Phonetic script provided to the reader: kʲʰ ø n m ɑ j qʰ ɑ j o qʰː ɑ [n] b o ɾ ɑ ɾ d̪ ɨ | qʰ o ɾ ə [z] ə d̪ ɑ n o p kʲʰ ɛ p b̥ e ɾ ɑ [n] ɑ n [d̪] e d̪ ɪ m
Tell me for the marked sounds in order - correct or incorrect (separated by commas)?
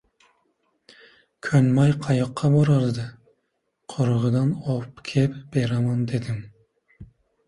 incorrect, incorrect, incorrect, correct